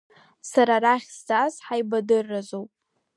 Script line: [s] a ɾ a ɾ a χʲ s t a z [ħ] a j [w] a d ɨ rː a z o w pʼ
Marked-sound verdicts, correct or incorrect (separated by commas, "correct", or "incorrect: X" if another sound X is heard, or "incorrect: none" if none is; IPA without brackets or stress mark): correct, correct, incorrect: b